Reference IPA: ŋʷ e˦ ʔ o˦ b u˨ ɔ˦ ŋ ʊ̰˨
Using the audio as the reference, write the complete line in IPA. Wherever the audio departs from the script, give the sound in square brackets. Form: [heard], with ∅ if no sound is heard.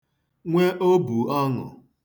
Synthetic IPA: ŋʷ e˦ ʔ o˦ b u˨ ɔ˦ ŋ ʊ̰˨